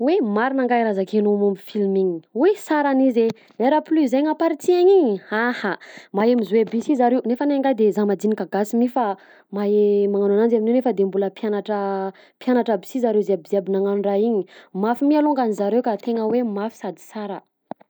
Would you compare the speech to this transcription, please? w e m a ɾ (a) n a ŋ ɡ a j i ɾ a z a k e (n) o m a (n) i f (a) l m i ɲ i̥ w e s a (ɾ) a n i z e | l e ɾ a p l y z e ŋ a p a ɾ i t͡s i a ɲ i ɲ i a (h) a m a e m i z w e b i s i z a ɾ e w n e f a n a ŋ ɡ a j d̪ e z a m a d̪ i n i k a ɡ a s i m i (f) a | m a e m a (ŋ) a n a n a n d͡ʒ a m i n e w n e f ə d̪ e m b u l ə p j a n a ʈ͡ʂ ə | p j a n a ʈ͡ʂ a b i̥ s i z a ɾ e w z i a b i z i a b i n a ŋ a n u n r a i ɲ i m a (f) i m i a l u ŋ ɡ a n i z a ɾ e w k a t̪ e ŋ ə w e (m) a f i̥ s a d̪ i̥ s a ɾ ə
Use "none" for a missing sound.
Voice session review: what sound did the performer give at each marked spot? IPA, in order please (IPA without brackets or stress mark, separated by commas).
i, n, m, i, ɾ, h, f, ŋ, f, m